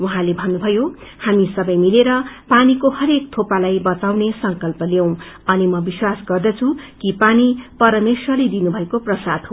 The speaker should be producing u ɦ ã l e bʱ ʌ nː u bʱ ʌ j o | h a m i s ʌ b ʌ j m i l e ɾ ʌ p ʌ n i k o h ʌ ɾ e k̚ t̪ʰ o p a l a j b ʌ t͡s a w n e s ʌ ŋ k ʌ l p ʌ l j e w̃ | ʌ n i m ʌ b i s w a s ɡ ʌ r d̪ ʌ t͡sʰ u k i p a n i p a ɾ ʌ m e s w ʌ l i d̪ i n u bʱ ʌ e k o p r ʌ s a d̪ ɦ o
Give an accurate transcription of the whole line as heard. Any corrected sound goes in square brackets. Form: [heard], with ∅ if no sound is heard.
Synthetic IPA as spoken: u ɦ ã l e bʱ ʌ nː u bʱ ʌ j o | h a m i s ʌ b ʌ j m i l e ɾ ʌ p [a] n i k o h ʌ ɾ e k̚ t̪ʰ o p a l a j b ʌ t͡s a w n e s ʌ ŋ k ʌ l p ʌ l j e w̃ | ʌ n i m ʌ b i s w a s ɡ ʌ r d̪ ʌ t͡sʰ u k i p a n i p [ʌ] ɾ ʌ m e s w ʌ l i d̪ i n u bʱ ʌ e k o p r ʌ s a d̪ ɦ o